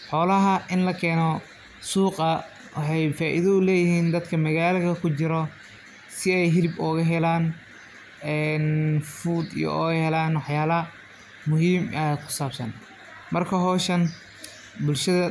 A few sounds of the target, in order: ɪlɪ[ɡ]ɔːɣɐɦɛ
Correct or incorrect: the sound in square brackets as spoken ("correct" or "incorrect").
incorrect